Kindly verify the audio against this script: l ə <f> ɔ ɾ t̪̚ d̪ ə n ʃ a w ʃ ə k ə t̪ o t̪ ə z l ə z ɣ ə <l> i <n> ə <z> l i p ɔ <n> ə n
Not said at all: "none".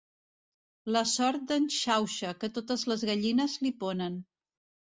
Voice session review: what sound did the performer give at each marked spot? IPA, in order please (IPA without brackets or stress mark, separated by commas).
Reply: s, ʎ, n, z, n